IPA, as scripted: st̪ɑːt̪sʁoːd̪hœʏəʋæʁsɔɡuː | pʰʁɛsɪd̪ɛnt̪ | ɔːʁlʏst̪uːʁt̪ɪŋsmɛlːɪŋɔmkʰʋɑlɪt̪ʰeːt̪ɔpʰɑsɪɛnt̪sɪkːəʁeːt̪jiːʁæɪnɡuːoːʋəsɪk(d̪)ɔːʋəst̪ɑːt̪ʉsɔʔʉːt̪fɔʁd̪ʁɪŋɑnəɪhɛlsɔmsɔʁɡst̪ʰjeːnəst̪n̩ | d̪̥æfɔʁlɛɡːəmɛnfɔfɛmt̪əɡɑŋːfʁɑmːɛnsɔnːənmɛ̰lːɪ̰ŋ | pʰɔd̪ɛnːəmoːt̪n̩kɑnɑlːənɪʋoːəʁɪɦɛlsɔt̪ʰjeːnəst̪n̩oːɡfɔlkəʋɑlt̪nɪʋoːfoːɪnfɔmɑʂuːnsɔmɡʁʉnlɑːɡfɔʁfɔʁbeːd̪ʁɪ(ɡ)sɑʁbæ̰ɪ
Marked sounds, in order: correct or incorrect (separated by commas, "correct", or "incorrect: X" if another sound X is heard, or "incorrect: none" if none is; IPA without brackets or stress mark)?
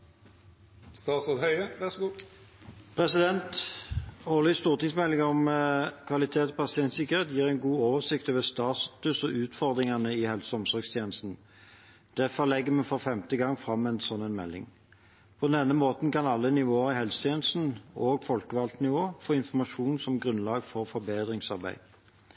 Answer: incorrect: t̪, incorrect: ŋ